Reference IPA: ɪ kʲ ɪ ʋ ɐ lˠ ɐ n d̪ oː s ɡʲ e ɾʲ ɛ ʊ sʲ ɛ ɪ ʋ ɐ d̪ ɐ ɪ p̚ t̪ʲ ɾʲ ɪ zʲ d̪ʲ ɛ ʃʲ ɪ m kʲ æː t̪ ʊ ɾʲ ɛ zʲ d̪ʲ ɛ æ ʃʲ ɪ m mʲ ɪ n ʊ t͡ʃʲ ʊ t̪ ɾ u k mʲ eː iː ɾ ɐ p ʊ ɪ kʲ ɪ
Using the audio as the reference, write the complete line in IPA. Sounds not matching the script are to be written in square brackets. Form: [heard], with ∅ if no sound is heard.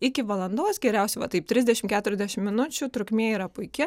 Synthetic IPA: ɪ kʲ ɪ ʋ ɐ lˠ ɐ n d̪ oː s ɡʲ [ɛ] ɾʲ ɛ ʊ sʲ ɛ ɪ ʋ ɐ [t̪] ɐ ɪ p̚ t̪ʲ ɾʲ ɪ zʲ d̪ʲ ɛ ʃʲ ɪ m kʲ æː t̪ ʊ ɾʲ ɛ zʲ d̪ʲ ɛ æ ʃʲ ɪ m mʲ ɪ n ʊ t͡ʃʲ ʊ t̪ ɾ [ʊ] k mʲ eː iː ɾ ɐ p ʊ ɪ kʲ ɪ